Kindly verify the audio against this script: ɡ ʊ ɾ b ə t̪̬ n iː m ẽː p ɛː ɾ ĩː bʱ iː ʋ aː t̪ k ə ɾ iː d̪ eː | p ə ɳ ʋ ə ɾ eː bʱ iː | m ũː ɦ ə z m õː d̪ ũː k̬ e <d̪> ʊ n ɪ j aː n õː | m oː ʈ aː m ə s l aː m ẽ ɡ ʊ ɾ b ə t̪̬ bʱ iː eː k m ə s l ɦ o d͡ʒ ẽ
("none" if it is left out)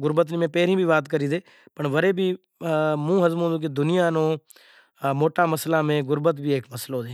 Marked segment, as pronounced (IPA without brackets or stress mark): d̪